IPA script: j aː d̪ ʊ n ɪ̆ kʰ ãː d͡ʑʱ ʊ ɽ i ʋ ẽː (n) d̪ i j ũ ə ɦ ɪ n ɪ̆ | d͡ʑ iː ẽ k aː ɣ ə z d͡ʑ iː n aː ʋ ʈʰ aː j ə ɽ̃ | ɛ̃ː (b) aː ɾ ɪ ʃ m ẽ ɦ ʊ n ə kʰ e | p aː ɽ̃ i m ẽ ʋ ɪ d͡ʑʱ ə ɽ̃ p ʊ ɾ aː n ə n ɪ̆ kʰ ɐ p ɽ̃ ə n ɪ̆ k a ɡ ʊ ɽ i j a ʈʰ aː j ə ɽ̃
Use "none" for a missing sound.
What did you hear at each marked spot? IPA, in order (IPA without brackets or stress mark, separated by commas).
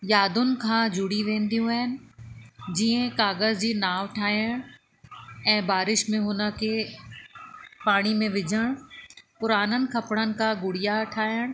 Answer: n, b